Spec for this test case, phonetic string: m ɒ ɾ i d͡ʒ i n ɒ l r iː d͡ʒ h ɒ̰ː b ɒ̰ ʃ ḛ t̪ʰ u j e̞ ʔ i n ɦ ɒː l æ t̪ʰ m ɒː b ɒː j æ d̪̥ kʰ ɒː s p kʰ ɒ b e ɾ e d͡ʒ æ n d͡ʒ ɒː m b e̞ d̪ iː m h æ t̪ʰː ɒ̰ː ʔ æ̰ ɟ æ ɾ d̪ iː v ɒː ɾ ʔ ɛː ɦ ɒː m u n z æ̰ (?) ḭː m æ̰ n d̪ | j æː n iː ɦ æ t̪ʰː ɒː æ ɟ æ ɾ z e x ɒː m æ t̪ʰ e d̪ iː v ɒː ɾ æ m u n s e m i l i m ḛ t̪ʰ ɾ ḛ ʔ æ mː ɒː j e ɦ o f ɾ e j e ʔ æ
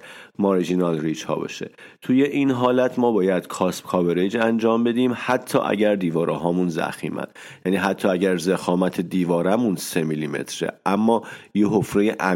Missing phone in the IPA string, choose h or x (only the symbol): x